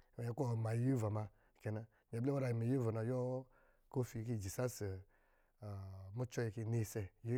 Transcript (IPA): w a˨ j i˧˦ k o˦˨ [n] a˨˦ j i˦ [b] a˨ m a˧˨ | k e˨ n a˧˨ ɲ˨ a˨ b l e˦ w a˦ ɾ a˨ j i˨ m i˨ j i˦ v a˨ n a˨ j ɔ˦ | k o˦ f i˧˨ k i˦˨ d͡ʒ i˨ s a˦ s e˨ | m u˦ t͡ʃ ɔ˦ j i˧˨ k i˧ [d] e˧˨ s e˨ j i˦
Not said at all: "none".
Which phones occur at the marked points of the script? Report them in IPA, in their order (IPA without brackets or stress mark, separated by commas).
m, v, n